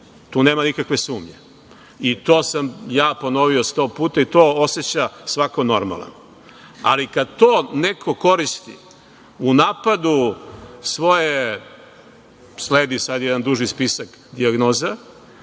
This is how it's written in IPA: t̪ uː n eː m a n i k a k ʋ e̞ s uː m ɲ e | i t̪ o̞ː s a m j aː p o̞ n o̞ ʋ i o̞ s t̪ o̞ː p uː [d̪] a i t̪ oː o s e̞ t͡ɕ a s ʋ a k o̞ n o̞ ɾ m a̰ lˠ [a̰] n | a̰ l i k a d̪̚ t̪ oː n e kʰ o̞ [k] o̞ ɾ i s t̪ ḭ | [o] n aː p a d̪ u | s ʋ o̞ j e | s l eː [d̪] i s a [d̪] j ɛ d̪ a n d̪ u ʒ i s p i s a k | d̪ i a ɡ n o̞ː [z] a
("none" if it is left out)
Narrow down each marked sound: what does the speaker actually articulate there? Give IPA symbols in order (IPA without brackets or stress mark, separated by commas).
t̪, a̰, k, u, d̪, d̪, z